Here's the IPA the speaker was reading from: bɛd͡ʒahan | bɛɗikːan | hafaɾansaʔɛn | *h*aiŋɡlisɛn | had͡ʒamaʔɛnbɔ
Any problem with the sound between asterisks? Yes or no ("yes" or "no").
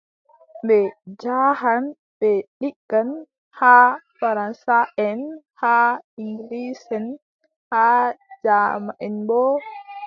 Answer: no